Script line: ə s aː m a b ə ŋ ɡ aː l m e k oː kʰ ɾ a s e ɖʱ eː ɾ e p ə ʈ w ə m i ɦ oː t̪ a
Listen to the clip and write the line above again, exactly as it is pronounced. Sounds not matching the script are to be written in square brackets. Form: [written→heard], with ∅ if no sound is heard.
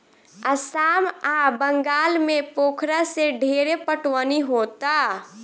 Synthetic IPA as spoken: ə s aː m a b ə ŋ ɡ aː l m e [k→p] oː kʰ ɾ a s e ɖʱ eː ɾ e p ə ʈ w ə [m→n] i ɦ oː t̪ a